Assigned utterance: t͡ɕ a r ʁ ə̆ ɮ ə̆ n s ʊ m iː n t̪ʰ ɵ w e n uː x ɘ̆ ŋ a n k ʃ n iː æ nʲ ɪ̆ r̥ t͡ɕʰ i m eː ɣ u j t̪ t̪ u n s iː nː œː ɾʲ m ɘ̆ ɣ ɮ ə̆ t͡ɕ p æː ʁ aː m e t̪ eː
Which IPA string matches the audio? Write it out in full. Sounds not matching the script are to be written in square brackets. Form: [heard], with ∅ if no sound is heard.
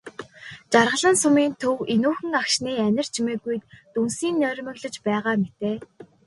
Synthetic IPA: t͡ɕ a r ʁ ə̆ ɮ ə̆ n s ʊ m iː n t̪ʰ ɵ w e n uː x ɘ̆ ŋ a [∅] k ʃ n iː æ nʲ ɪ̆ r̥ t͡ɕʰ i m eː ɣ u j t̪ t̪ u n s iː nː œː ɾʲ m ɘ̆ ɣ ɮ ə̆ t͡ɕ p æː ʁ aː m e t̪ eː